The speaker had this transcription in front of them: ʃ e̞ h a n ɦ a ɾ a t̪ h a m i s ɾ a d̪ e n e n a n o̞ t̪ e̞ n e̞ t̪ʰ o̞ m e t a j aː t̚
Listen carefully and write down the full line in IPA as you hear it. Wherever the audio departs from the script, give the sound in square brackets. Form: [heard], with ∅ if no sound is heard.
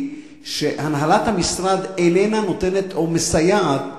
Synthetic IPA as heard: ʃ e̞ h a n ɦ a [l] a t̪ h a m i s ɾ a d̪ e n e n a n o̞ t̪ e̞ n e̞ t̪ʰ o̞ m e [s] a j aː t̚